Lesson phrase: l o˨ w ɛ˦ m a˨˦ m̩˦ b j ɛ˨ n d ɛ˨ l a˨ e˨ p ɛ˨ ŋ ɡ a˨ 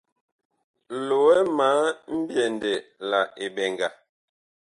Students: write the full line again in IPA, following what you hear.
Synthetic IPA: l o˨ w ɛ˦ m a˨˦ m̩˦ b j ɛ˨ n d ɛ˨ l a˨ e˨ b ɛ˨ ŋ ɡ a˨